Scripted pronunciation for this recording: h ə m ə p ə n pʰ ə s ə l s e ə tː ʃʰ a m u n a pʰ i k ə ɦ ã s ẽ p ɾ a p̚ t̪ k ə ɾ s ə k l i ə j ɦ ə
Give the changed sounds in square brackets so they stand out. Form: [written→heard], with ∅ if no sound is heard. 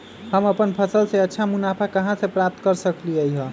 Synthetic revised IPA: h ə m ə p ə n pʰ ə s ə l s e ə tː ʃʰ a m u n a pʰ [i→a] k ə ɦ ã s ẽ p ɾ a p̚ t̪ k ə ɾ s ə k l i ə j ɦ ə

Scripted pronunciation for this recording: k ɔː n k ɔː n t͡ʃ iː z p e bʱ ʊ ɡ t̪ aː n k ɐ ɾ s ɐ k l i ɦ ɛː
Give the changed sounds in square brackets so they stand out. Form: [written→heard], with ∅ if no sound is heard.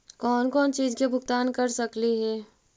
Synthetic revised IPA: k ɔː n k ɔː n t͡ʃ iː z [p→k] e bʱ ʊ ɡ t̪ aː n k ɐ ɾ s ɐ k l i ɦ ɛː

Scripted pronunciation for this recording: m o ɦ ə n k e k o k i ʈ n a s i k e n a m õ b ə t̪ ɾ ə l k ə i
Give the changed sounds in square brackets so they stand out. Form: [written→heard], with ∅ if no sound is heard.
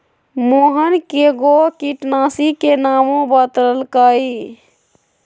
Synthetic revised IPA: m o ɦ ə n k e [k→ɡ] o k i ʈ n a s i k e n a m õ b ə t̪ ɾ ə l k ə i

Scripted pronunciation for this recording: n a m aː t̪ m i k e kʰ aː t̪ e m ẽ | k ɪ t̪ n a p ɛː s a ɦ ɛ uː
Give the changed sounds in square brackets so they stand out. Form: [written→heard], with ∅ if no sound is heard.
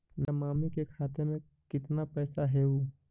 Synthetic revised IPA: n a m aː [t̪→∅] m i k e kʰ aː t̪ e m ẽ | k ɪ t̪ n a p ɛː s a ɦ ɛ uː

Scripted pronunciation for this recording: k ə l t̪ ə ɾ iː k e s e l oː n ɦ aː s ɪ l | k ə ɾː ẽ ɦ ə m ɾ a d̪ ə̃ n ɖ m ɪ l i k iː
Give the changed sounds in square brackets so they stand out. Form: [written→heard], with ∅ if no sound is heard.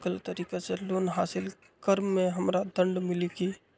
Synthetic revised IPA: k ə l t̪ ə ɾ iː k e s e l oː n ɦ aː s ɪ l | k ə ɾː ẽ ɦ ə m ɾ a d̪ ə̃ [n→ɳ] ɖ m ɪ l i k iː

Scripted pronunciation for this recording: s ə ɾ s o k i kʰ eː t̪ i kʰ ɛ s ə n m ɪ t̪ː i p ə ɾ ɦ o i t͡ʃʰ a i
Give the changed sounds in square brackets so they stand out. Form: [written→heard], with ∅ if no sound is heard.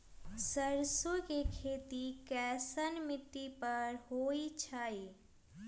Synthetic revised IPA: s ə ɾ s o k [i→e] kʰ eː t̪ i [kʰ→k] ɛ s ə n m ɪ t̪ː i p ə ɾ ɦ o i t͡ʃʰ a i

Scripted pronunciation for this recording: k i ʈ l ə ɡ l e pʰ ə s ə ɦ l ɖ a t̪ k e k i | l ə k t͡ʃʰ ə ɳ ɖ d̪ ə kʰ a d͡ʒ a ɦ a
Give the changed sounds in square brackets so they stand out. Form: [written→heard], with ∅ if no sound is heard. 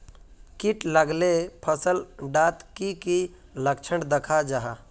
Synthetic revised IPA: k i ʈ l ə ɡ l e pʰ ə s ə [ɦ→∅] l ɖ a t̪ k [e→i] k i | l ə k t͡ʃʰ ə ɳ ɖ d̪ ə kʰ a d͡ʒ a ɦ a

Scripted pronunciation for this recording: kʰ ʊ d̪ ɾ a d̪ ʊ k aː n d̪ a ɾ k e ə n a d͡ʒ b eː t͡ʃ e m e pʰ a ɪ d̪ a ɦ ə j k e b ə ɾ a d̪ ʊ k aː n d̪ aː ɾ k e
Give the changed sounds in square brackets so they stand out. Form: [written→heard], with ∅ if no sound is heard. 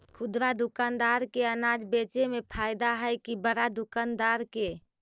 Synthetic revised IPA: kʰ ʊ d̪ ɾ a d̪ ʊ k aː n d̪ a ɾ k e ə n a d͡ʒ b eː t͡ʃ e m e pʰ a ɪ d̪ a ɦ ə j k [e→i] b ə ɾ a d̪ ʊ k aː n d̪ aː ɾ k e

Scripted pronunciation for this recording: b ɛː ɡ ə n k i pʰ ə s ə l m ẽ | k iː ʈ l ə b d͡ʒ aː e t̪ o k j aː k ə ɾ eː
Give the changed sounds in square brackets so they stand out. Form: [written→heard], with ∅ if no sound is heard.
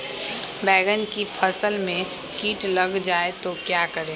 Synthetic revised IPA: b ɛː ɡ ə n k i pʰ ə s ə l m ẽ | k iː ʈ l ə [b→ɡ] d͡ʒ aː e t̪ o k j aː k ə ɾ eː

